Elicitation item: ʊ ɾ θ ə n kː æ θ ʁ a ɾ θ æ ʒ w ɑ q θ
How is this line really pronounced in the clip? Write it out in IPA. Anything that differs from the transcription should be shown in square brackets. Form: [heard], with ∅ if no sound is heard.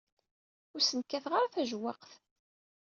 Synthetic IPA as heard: ʊ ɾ [s] ə n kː æ θ ʁ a ɾ θ æ ʒ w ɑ q θ